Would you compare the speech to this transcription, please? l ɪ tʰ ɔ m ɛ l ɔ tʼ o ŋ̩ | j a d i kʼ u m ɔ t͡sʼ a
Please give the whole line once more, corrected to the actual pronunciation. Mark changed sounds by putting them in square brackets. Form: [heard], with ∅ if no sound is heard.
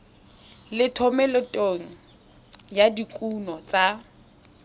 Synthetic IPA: l ɪ tʰ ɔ m ɛ l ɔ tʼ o ŋ̩ | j a d i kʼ u [n] ɔ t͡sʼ a